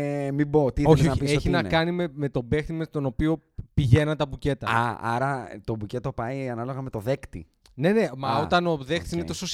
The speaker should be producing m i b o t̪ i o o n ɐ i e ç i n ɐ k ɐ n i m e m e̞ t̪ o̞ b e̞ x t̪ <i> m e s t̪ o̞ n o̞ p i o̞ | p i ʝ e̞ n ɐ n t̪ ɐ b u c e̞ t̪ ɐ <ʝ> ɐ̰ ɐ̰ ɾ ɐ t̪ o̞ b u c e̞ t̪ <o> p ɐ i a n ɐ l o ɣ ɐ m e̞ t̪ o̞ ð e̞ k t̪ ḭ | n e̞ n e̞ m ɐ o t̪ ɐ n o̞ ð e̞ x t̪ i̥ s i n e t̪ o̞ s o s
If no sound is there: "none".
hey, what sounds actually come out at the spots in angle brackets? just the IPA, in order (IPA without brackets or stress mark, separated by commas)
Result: i, none, o